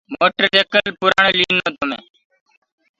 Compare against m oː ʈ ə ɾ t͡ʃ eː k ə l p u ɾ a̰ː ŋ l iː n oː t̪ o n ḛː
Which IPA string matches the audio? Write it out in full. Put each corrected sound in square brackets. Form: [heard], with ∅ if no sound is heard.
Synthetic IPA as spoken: m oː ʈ ə ɾ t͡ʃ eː k ə l p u ɾ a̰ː [ɳ] l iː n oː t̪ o [m] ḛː